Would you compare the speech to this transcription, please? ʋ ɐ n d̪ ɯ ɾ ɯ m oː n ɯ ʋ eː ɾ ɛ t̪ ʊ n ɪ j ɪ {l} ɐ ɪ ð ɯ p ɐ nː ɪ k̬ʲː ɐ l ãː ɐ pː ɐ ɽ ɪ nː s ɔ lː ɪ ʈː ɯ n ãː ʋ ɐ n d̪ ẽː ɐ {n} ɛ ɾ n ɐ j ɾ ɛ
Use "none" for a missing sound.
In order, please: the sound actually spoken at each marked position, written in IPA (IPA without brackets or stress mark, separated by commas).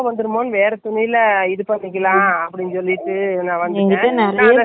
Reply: l, n